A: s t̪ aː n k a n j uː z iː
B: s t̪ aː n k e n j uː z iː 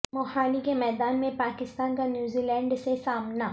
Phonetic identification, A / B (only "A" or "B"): A